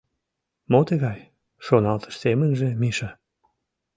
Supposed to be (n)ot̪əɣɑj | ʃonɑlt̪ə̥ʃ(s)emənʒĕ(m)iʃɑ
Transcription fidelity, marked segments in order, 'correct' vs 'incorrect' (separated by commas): incorrect, correct, correct